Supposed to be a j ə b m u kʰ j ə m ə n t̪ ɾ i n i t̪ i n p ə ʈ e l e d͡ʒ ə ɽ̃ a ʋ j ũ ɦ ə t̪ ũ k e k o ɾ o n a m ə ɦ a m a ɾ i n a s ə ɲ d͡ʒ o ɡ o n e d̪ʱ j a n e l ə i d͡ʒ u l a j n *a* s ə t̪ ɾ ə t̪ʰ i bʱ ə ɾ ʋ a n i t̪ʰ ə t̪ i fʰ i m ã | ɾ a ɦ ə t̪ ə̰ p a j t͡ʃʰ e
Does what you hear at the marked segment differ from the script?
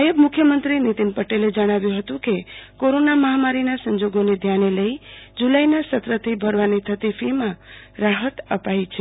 no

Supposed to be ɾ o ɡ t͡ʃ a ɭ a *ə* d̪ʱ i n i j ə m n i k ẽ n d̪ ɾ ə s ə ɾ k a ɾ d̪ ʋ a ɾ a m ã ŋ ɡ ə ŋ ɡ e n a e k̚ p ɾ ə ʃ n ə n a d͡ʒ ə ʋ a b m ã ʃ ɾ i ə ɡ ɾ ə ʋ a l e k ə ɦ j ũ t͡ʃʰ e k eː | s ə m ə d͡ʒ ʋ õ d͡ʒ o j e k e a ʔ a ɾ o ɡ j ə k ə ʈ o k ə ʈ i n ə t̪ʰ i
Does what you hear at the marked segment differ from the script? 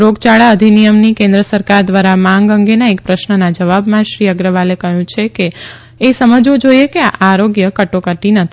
no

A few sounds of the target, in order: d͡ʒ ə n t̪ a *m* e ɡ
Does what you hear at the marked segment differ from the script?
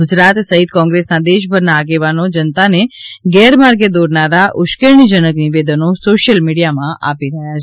yes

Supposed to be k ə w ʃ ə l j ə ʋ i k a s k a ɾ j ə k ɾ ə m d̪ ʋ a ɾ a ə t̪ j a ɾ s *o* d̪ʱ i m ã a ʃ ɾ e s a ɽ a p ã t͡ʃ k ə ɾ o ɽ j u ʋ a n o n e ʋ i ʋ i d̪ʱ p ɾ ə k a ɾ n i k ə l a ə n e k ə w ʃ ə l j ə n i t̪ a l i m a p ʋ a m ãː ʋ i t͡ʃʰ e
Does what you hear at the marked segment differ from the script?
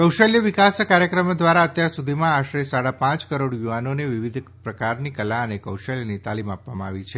yes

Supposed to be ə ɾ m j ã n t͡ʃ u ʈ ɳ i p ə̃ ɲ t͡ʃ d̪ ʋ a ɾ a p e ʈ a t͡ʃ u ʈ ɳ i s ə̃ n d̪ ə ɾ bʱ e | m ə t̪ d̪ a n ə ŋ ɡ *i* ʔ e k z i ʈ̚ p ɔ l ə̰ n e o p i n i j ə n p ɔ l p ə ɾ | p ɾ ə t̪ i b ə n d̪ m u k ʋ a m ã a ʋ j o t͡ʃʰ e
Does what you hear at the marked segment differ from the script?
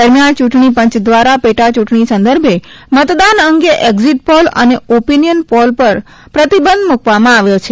yes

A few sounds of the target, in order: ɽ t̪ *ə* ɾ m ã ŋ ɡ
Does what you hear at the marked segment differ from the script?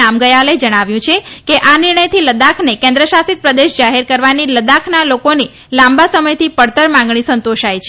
no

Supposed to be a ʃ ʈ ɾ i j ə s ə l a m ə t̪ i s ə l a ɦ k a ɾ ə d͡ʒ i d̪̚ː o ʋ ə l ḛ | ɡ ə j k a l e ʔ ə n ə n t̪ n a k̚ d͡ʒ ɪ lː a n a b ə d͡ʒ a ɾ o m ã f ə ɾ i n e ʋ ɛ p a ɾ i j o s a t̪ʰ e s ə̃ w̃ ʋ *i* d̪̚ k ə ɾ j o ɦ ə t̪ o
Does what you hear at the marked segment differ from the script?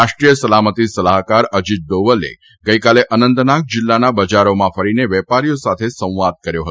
yes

